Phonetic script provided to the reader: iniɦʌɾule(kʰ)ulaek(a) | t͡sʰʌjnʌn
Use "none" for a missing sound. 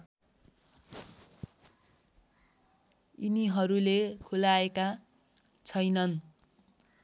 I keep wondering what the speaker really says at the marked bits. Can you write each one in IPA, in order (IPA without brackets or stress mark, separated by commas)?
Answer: kʰ, a